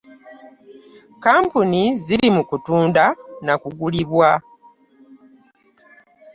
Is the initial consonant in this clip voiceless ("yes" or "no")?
yes